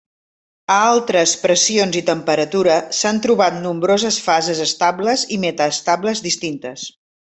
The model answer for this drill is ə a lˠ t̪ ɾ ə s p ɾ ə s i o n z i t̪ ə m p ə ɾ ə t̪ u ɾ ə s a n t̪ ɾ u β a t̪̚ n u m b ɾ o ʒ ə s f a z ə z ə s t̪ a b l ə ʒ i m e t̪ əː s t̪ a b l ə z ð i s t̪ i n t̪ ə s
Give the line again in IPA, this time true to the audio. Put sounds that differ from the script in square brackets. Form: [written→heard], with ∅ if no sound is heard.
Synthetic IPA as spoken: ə a lˠ t̪ ɾ ə s p ɾ ə s i o n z i t̪ ə m p ə ɾ ə t̪ u ɾ ə s a n t̪ ɾ u β a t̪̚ n u m b ɾ o [ʒ→z] ə s f a z ə z ə s t̪ a b l ə [ʒ→z] i m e t̪ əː s t̪ a b l ə z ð i s t̪ i n t̪ ə s